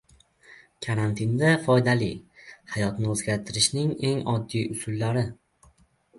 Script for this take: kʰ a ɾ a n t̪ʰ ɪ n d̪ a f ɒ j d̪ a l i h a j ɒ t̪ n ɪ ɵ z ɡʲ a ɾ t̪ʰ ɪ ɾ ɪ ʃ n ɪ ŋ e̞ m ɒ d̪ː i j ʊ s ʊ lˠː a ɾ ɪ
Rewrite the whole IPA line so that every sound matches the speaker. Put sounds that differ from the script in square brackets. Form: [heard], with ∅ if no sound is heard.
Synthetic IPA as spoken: kʰ a ɾ a n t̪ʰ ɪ n d̪ a f ɒ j d̪ a l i h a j ɒ t̪ n ɪ ɵ z ɡʲ a ɾ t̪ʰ ɪ ɾ ɪ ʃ n ɪ ŋ e̞ [ŋ] ɒ d̪ː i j ʊ s ʊ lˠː a ɾ ɪ